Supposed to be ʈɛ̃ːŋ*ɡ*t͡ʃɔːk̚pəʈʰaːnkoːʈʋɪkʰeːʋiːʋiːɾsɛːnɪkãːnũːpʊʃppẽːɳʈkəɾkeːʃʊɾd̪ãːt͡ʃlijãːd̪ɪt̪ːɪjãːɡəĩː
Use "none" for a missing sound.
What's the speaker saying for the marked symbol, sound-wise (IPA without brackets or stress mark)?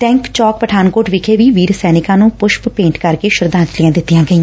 k